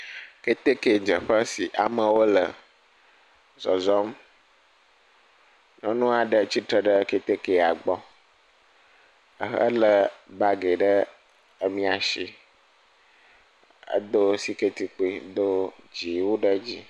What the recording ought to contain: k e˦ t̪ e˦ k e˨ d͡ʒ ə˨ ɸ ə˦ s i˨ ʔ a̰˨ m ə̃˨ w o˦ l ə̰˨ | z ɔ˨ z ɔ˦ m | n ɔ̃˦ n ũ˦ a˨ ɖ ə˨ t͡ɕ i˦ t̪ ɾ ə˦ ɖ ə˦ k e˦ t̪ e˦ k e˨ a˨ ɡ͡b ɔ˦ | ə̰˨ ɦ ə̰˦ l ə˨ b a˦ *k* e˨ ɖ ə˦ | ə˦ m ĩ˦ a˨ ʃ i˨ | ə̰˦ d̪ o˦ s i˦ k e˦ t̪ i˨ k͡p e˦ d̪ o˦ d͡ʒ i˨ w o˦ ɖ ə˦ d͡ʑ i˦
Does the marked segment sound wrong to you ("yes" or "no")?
yes